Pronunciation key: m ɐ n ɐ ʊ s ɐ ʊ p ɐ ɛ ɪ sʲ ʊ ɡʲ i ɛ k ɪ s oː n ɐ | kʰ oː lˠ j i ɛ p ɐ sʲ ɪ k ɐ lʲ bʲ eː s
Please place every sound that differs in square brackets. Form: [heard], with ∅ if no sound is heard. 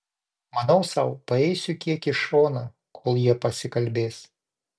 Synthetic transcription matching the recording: m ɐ n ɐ ʊ s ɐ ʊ p ɐ ɛ ɪ sʲ ʊ [kʲ] i ɛ k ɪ [ʃ] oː n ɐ | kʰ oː lˠ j i ɛ p ɐ sʲ ɪ k ɐ lʲ bʲ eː s